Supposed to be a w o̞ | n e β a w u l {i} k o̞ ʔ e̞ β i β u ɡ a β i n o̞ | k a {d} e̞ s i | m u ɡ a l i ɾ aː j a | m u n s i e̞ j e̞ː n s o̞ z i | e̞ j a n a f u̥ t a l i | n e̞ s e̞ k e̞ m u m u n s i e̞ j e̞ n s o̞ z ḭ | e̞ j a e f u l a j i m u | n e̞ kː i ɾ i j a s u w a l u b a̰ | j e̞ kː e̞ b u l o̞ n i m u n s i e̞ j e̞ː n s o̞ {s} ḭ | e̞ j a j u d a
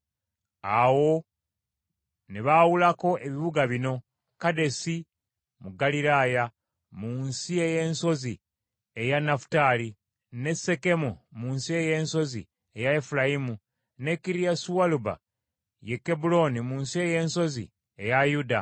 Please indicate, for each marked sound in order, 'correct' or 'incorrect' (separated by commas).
incorrect, correct, incorrect